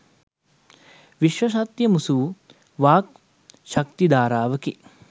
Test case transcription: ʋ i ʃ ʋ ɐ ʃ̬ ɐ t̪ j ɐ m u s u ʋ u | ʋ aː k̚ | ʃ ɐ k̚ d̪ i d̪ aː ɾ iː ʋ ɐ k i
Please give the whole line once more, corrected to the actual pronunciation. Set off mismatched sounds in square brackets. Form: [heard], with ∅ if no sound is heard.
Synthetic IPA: ʋ i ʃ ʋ ɐ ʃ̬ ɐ t̪ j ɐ m u s u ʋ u | ʋ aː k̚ | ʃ ɐ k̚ [t̪] i d̪ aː ɾ [aː] ʋ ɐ k i